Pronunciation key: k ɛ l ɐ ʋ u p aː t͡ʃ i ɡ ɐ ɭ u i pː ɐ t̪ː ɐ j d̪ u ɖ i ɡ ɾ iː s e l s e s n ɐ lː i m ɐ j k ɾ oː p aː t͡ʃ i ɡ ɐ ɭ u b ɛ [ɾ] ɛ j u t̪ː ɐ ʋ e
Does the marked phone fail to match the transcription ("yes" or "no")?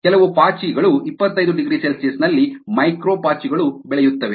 yes